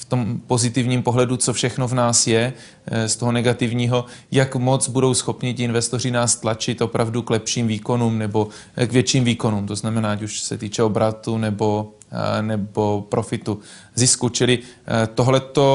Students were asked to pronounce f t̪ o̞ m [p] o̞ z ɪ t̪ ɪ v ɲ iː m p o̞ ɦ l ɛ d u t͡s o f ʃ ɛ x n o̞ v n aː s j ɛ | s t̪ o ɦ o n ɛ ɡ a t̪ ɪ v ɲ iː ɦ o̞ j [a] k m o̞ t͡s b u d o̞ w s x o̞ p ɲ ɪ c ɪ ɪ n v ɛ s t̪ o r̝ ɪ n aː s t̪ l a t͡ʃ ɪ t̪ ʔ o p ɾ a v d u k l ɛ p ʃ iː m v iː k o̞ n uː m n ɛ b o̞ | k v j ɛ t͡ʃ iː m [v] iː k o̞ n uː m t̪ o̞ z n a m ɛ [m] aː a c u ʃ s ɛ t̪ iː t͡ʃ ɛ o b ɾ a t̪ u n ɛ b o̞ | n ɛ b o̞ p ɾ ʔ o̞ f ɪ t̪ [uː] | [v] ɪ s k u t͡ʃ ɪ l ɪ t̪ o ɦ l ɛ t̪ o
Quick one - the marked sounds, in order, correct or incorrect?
correct, correct, correct, incorrect, incorrect, incorrect

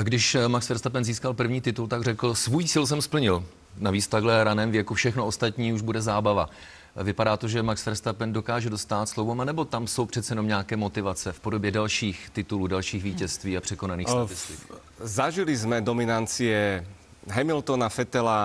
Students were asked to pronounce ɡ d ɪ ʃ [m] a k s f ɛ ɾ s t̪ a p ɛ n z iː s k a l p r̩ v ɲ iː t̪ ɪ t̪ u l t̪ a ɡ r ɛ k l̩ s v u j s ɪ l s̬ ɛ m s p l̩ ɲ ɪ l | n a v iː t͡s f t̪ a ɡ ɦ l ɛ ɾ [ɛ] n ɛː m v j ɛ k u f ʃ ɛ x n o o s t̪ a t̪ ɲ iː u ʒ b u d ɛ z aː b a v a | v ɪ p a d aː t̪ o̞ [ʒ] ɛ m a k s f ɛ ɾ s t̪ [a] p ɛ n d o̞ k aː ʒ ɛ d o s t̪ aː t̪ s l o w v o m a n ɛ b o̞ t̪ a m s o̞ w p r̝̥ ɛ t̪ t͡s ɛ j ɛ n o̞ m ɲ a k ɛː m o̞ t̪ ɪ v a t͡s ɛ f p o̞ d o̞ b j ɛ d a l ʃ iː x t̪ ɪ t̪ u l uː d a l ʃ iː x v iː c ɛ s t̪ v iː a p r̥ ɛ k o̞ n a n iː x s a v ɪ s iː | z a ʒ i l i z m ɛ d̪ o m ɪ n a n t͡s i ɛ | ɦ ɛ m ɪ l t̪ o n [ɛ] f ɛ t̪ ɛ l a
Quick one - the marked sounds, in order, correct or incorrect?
correct, incorrect, correct, correct, incorrect

